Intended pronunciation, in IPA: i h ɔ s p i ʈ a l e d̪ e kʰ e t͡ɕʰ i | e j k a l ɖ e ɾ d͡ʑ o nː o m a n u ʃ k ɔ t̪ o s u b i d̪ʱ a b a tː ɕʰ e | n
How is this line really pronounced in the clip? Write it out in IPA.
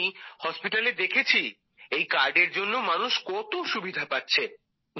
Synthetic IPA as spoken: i h ɔ s p i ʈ a l e d̪ e kʰ e t͡ɕʰ i | e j k a ɾ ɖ e ɾ d͡ʑ o nː o m a n u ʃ k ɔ t̪ o ʃ u b i d̪ʱ a p a tː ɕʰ e | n